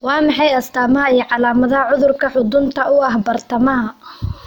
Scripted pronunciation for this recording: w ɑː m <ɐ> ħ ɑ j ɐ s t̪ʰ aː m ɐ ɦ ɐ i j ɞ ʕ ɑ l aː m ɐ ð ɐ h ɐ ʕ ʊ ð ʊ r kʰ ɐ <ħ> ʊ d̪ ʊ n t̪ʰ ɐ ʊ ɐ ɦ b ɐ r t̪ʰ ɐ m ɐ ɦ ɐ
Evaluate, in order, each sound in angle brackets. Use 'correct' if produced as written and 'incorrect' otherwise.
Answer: incorrect, correct

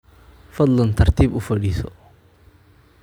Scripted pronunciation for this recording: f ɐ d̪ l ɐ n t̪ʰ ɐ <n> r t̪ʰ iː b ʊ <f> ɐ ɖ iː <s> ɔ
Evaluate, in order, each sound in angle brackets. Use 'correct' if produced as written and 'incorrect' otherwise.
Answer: incorrect, correct, correct

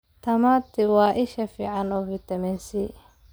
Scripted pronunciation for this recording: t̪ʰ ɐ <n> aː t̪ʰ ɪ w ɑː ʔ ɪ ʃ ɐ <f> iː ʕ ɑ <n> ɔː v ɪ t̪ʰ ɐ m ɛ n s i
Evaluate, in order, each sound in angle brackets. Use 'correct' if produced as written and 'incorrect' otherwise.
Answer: incorrect, correct, correct

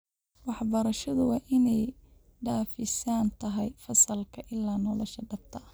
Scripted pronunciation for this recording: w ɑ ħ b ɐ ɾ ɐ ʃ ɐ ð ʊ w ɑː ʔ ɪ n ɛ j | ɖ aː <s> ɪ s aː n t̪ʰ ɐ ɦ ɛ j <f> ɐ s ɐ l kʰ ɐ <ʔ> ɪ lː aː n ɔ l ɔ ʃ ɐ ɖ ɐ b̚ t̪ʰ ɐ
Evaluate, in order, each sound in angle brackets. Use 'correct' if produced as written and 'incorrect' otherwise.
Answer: incorrect, correct, correct

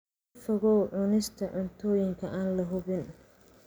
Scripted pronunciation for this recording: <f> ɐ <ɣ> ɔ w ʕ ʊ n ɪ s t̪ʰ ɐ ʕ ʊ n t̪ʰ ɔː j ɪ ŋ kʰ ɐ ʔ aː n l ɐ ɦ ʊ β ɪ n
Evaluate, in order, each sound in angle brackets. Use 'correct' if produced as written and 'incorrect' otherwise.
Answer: correct, correct

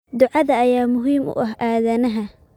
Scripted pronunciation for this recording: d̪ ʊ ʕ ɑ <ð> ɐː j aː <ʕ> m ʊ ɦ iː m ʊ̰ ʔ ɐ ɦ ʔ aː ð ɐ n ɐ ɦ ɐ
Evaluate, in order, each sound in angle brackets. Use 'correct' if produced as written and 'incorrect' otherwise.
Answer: correct, incorrect

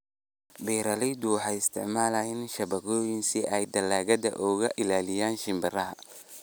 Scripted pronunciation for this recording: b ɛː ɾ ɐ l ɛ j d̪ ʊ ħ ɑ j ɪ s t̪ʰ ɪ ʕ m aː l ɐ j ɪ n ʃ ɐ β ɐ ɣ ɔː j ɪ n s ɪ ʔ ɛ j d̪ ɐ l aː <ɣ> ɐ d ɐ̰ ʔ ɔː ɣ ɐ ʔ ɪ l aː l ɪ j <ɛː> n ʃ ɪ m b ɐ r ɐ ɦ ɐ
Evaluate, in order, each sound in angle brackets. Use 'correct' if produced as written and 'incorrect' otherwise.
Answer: correct, incorrect

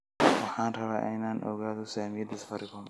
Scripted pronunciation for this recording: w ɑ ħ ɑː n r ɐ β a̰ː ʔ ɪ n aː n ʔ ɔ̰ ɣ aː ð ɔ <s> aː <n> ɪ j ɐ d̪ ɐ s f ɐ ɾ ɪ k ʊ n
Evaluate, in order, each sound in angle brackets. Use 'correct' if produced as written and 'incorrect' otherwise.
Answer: correct, incorrect

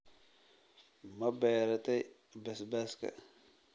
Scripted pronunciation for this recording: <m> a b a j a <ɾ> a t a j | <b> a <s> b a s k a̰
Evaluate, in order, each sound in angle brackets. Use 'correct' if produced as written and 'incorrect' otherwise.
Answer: correct, correct, correct, correct

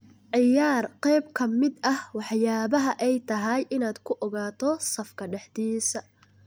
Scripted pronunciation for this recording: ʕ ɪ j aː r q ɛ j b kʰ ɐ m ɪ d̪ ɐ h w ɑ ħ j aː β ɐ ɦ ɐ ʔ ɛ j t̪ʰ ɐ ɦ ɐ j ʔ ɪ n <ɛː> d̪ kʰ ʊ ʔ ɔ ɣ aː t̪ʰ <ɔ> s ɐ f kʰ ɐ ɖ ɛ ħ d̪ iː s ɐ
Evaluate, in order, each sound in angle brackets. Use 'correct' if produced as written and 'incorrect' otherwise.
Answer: incorrect, correct

